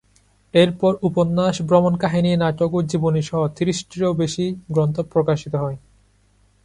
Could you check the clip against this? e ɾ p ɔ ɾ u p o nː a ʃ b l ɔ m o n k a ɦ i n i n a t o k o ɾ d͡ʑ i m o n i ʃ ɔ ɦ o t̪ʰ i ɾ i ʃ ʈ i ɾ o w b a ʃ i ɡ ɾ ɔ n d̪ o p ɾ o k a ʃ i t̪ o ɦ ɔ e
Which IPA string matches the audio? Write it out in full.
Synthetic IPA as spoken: e ɾ p ɔ ɾ u p o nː a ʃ b ɾ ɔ m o n k a ɦ i n i n a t o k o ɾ d͡ʑ i b o n i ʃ ɔ ɦ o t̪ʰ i ɾ i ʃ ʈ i ɾ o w b e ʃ i ɡ ɾ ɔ n t̪ o p ɾ o k a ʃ i t̪ o ɦ ɔ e